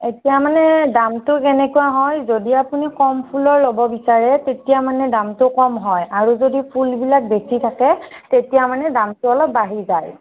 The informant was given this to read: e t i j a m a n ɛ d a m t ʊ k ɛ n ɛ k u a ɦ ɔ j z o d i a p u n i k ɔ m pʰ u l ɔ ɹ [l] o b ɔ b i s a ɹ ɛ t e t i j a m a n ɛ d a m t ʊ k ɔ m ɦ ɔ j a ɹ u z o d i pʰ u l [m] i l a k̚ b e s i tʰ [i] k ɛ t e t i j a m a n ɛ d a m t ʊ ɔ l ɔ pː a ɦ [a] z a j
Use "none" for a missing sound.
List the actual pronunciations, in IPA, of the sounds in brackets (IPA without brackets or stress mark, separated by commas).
l, b, a, i